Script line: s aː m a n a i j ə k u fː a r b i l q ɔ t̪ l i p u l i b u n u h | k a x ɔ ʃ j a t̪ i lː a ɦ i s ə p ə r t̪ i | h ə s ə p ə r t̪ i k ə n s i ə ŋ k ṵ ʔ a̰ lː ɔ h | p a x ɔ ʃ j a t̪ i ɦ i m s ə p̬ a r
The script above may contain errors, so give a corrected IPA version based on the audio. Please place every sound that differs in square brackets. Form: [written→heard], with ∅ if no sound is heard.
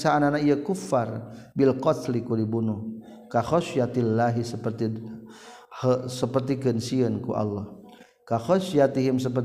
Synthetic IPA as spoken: s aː [m→n] a n a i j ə k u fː a r b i l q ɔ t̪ l i [p→k] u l i b u n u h | k a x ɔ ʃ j a t̪ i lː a ɦ i s ə p ə r t̪ i | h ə s ə p ə r t̪ i k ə n s i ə [ŋ→n] k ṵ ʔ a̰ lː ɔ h | [p→k] a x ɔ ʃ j a t̪ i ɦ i m s ə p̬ [a→ə] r